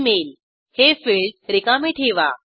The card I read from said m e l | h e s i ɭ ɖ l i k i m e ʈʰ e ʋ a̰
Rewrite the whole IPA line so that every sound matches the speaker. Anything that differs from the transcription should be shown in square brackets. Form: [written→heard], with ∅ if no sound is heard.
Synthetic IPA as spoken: m e l | h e [s→f] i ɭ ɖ [l→ɾ] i k [i→a] m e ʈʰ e ʋ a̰